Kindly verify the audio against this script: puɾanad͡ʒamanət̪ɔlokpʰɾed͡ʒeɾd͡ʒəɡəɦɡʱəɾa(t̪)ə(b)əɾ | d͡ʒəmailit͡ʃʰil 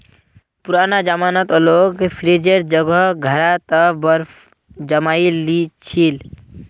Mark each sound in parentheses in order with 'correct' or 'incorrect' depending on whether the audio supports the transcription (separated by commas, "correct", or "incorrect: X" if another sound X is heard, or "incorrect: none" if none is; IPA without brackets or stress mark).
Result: correct, correct